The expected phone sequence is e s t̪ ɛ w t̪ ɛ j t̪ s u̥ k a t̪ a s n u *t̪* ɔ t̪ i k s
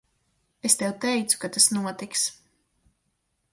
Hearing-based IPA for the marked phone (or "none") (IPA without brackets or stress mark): none